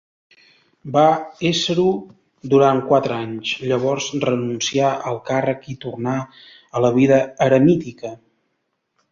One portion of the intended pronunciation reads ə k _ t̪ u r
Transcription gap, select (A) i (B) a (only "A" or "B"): A